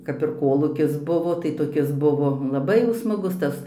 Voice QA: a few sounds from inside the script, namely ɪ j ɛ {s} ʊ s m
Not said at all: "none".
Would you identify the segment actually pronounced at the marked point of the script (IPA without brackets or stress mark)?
none